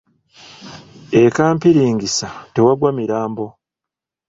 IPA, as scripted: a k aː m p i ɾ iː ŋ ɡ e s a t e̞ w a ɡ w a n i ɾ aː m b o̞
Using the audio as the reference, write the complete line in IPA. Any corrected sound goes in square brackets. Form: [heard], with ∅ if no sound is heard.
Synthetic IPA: [e] k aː m p i ɾ iː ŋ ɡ [i] s a t e̞ w a ɡ w a [m] i ɾ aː m b o̞